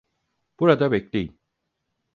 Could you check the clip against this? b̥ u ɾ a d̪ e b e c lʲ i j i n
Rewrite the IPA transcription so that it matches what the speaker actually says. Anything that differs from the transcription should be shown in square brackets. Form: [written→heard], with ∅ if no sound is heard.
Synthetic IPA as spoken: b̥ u ɾ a d̪ [e→a] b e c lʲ [i→e] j i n

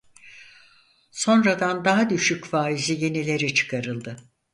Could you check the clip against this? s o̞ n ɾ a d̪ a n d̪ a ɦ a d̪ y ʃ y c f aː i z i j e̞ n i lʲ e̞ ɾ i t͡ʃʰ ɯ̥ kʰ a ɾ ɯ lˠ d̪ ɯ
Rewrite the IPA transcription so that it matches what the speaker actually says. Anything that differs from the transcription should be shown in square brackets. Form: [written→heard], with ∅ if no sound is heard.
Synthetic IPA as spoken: s o̞ n ɾ a d̪ a n d̪ a ɦ a d̪ y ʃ y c f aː i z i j e̞ n i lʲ e̞ ɾ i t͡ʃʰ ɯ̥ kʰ a ɾ ɯ lˠ d̪ ɯ

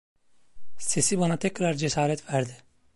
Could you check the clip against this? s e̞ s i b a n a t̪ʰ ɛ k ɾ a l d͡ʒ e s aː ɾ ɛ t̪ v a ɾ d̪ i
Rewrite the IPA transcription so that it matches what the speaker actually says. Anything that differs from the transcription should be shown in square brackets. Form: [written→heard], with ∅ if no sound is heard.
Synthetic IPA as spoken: s e̞ s i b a n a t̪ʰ ɛ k ɾ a [l→ɾ] d͡ʒ e s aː ɾ ɛ t̪ v [a→æ] ɾ d̪ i

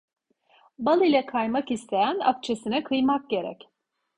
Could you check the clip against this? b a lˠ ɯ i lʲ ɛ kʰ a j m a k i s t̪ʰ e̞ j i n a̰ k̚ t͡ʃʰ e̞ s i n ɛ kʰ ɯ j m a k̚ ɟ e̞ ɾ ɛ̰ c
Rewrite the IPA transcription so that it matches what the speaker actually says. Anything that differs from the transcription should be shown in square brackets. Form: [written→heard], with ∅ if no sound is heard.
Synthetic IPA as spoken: b a lˠ ɯ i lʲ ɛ kʰ a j m a k i s t̪ʰ e̞ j [i→æ] n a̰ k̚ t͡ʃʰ e̞ s i n ɛ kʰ ɯ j m a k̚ ɟ e̞ ɾ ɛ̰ c

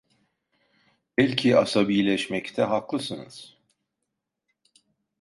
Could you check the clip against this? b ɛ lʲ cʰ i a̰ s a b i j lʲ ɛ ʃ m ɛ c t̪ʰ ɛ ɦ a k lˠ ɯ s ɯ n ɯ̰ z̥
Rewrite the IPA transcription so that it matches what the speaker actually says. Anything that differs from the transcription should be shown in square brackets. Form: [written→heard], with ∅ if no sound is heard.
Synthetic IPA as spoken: b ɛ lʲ cʰ i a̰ s a b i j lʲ ɛ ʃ m ɛ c t̪ʰ ɛ ɦ a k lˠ ɯ s ɯ n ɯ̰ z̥

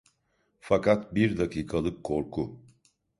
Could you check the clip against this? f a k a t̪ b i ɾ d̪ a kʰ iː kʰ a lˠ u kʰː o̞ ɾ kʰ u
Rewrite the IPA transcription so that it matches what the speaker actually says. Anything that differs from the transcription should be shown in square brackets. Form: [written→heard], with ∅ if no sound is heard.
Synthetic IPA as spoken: f a k a t̪ b i ɾ d̪ a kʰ iː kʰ a lˠ [u→ɯ] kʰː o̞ ɾ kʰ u

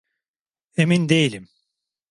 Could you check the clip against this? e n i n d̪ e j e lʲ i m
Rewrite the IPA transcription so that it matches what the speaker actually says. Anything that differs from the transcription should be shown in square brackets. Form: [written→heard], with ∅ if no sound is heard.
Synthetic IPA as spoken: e [n→m] i n d̪ e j [e→i] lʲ i m

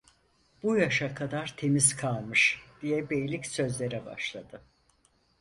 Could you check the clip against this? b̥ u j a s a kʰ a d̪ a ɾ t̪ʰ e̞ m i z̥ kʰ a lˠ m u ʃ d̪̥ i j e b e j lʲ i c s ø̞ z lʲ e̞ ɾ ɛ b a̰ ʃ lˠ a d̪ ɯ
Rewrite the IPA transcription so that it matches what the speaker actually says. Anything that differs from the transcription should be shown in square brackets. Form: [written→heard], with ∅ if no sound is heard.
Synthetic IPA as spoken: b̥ u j a [s→ʃ] a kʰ a d̪ a ɾ t̪ʰ e̞ m i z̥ kʰ a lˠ m [u→ɯ] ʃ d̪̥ i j [e→ɛ] b e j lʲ i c s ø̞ z lʲ e̞ ɾ ɛ b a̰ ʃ lˠ a d̪ ɯ

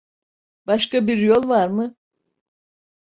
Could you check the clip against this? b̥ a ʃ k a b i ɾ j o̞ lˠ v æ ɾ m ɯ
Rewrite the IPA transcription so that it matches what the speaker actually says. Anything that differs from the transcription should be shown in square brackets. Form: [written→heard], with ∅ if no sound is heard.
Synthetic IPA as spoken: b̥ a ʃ k a b i ɾ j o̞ lˠ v [æ→a] ɾ m ɯ

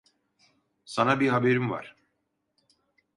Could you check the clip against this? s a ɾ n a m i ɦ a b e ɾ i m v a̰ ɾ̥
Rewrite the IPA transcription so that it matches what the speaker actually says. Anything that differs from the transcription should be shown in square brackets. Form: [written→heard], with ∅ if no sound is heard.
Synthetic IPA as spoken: s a [ɾ→∅] n a [m→b] i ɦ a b e ɾ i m v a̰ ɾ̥

